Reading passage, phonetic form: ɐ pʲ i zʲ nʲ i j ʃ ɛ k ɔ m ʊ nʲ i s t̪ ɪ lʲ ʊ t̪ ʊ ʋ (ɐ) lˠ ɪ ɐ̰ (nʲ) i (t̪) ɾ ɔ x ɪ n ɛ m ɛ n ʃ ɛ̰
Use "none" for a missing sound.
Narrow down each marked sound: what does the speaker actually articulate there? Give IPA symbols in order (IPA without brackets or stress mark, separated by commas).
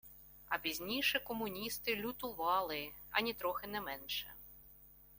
ɑ, nʲ, t̪